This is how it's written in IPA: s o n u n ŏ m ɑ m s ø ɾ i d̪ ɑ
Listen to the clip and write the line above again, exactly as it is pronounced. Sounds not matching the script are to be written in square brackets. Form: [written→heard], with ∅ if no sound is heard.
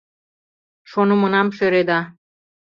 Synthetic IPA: [s→ʃ] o n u [n→m] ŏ [m→n] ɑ m [s→ʃ] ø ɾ [i→e] d̪ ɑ